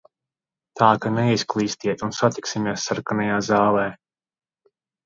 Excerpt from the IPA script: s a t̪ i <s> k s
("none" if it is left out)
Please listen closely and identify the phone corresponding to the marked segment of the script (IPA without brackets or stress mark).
none